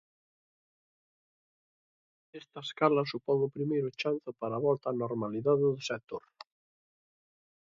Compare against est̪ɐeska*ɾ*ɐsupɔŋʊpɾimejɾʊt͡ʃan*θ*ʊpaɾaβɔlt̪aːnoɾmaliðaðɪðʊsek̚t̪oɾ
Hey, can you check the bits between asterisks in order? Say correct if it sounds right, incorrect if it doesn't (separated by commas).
incorrect, correct